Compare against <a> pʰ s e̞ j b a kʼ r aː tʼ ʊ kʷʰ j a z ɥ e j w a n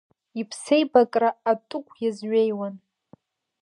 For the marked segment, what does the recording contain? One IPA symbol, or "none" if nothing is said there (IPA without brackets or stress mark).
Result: i